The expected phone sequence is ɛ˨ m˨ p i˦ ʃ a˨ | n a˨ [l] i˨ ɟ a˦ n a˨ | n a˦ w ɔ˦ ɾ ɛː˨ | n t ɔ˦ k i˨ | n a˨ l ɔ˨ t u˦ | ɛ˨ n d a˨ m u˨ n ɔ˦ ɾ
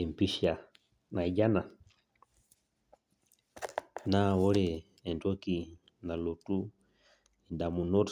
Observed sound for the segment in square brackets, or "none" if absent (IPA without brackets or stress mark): none